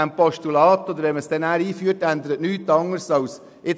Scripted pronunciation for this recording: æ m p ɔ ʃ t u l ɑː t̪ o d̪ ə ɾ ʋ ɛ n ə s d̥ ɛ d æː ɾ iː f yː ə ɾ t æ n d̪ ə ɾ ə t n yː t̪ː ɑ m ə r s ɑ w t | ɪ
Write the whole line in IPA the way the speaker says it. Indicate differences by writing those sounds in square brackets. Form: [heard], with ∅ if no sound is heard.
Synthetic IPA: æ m p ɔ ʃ t u l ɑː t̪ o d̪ ə ɾ ʋ ɛ [m] ə s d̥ ɛ [n] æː ɾ iː f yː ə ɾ t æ n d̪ ə ɾ ə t n yː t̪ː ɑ [ŋ] ə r s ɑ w [s] | ɪ